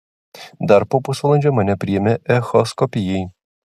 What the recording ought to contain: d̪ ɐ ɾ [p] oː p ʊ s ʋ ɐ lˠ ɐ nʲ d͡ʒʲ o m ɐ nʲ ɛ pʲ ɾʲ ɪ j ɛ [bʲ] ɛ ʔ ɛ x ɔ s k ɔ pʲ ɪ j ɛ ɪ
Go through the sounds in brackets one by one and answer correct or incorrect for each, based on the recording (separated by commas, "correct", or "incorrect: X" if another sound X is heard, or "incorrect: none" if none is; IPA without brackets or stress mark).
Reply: correct, incorrect: mʲ